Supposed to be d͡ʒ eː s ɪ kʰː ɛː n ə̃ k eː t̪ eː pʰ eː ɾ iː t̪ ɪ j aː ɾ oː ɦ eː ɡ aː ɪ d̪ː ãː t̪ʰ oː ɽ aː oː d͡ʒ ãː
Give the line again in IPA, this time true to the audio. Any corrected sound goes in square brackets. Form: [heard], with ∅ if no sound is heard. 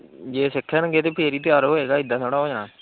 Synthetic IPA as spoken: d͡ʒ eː s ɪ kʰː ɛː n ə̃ [ɡ] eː t̪ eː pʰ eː ɾ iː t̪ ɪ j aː ɾ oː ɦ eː ɡ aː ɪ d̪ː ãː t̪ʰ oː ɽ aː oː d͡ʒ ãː